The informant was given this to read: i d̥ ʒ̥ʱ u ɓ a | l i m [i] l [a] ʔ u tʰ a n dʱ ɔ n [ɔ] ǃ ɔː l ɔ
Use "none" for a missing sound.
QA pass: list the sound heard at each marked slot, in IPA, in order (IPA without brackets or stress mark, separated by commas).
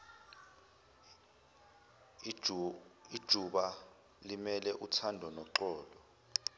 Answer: ɛ, ɛ, ɔ